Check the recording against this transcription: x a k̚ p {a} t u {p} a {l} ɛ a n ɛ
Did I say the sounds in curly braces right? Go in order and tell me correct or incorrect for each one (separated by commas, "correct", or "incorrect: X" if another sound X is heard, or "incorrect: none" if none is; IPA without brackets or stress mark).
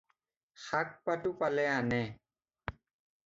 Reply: correct, correct, correct